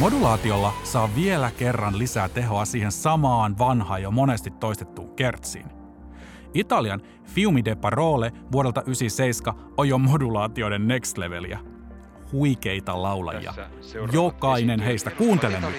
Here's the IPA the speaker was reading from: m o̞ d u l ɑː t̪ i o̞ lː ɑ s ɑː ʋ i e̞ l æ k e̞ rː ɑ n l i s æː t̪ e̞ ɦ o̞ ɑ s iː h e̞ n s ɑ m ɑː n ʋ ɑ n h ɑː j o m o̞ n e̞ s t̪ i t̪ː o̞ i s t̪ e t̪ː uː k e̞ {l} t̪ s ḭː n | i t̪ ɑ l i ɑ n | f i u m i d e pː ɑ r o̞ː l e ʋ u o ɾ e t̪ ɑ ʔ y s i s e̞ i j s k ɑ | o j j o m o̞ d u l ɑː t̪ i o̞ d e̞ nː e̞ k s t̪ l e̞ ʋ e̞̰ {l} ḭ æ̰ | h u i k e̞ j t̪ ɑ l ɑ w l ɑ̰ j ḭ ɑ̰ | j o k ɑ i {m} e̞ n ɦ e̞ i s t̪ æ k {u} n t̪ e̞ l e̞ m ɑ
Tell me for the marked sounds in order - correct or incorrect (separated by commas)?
incorrect, correct, incorrect, incorrect